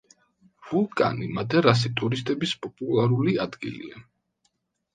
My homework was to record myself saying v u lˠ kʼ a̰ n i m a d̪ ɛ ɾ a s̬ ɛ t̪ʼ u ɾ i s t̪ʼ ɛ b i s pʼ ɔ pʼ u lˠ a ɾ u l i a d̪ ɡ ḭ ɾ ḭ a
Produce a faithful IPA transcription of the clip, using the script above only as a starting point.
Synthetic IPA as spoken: v u lˠ kʼ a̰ n i m a d̪ ɛ ɾ a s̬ i t̪ʼ u ɾ i s t̪ʼ ɛ b i s pʼ ɔ pʼ u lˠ a ɾ u l i a d̪ ɡ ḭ l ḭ a